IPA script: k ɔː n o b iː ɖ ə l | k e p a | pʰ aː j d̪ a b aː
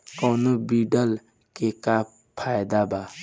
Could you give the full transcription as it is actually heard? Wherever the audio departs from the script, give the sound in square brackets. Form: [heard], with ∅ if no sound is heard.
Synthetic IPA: k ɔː n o b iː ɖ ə l | k e [k] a | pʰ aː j d̪ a b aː